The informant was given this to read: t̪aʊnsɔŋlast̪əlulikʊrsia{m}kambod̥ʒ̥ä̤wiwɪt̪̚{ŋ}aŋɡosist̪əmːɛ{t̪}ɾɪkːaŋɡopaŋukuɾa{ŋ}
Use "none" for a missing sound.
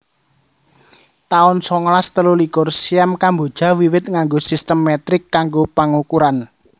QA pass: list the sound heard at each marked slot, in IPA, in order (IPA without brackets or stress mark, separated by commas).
m, ŋ, t̪, n